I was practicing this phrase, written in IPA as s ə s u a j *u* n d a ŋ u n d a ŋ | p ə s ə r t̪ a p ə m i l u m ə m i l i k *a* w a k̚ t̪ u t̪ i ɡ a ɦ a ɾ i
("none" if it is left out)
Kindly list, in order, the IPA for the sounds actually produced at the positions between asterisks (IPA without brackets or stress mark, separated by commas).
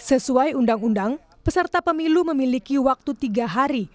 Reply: u, i